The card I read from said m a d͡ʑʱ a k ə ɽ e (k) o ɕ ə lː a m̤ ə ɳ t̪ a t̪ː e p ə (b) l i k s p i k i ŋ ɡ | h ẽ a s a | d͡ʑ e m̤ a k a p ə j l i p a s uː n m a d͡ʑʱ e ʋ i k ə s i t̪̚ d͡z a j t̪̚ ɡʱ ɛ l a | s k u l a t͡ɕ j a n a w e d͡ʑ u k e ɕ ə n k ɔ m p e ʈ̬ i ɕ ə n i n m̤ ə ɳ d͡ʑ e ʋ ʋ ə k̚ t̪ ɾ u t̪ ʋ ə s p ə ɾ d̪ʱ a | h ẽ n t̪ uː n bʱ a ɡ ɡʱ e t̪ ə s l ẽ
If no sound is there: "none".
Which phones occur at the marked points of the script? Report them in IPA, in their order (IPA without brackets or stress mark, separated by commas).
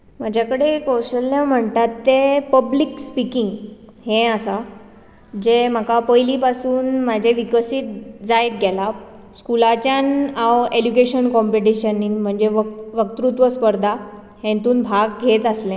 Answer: k, b